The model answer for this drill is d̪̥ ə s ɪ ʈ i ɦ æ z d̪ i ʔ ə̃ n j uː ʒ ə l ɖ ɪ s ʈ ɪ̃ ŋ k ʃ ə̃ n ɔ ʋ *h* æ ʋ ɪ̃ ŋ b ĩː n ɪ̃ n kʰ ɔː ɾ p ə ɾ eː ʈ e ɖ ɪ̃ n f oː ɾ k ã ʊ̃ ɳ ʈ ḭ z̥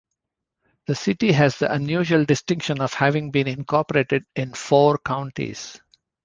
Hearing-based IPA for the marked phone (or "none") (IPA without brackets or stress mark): h